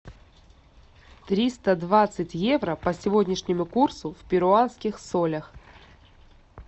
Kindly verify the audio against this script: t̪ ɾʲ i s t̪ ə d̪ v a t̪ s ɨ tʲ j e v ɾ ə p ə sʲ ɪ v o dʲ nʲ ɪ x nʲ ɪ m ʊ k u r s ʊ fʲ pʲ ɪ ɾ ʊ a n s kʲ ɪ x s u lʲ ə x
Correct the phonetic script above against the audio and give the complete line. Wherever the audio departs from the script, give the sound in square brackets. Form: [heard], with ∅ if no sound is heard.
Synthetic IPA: t̪ ɾʲ i s t̪ ə d̪ v a t̪ s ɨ tʲ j e v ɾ ə p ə sʲ ɪ v o dʲ nʲ ɪ [ʂ] nʲ ɪ m ʊ k u r s ʊ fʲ pʲ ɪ ɾ ʊ a n s kʲ ɪ x s [o] lʲ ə x